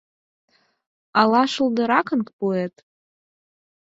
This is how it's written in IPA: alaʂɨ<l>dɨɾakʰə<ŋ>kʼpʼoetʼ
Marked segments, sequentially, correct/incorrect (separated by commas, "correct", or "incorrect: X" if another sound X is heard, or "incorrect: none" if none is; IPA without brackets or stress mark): correct, incorrect: n